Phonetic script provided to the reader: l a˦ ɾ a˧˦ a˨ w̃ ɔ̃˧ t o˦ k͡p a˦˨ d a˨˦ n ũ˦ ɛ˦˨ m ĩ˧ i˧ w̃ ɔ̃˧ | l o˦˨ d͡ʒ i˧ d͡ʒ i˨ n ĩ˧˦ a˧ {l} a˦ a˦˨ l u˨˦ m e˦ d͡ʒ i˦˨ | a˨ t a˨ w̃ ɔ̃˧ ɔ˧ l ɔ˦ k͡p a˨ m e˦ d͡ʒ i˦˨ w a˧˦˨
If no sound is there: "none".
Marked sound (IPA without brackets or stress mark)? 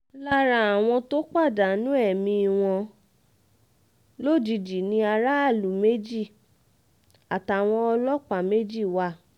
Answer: ɾ